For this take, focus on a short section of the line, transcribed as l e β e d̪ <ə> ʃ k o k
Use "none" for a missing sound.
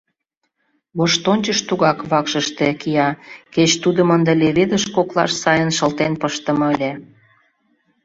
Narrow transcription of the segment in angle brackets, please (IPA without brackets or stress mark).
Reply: ə